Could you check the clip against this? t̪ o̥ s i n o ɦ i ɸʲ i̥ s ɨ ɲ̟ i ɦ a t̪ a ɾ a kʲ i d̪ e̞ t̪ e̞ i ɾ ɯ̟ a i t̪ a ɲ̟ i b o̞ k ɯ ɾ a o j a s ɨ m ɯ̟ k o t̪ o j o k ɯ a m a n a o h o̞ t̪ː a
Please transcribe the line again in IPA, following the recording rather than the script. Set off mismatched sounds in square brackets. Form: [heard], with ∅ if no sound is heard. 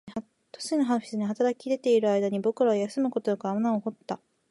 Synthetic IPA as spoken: t̪ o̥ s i n o ɦ [a] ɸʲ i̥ s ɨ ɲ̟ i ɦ a t̪ a ɾ a kʲ i d̪ e̞ t̪ e̞ i ɾ ɯ̟ a i [d̪] a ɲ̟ i b o̞ k ɯ ɾ a o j a s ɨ m ɯ̟ k o t̪ o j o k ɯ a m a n a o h o̞ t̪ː a